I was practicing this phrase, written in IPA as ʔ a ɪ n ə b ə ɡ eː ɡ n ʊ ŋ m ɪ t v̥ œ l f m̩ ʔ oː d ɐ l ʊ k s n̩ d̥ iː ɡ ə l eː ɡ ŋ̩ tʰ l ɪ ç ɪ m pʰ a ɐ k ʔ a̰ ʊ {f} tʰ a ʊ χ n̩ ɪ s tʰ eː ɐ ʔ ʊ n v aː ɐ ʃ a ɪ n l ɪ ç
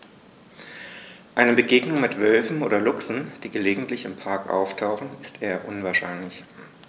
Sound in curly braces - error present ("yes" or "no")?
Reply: no